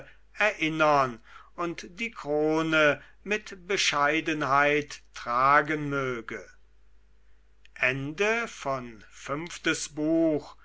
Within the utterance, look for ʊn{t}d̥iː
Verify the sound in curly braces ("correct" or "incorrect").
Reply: correct